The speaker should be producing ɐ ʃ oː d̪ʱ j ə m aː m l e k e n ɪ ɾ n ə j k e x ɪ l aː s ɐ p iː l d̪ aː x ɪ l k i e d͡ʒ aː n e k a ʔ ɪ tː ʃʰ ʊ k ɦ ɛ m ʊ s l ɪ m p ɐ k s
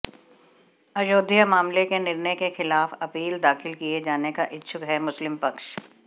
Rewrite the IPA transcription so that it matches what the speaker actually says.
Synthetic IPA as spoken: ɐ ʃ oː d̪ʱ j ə m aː m l e k e n ɪ ɾ n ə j k e x ɪ l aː f ɐ p iː l d̪ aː x ɪ l k i e d͡ʒ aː n e k a ʔ ɪ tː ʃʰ ʊ k ɦ ɛ m ʊ s l ɪ m p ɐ k ʃ